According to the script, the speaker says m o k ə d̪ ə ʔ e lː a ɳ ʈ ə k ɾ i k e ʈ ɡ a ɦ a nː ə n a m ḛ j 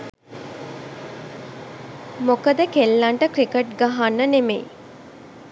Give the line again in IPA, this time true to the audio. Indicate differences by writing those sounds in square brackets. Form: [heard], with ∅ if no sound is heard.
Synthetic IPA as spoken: m o k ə d̪ ə [k] e lː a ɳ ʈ ə k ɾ i k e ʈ ɡ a ɦ a nː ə n [e] m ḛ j